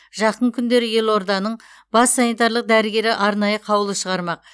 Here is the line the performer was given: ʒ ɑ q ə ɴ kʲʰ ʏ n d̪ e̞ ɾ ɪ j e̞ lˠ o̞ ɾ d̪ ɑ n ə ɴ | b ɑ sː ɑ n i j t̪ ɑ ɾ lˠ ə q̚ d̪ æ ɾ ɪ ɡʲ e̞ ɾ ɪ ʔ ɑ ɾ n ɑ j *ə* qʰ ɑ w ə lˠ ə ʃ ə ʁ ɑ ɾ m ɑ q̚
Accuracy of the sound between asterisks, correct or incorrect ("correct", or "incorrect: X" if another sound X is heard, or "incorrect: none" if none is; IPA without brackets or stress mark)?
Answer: correct